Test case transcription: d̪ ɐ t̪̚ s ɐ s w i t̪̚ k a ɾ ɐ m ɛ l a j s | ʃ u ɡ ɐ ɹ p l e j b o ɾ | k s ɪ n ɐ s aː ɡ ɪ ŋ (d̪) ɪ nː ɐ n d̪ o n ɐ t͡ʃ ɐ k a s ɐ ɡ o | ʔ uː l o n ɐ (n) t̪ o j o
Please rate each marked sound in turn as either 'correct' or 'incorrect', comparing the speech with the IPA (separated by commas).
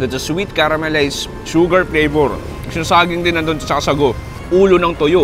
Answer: correct, incorrect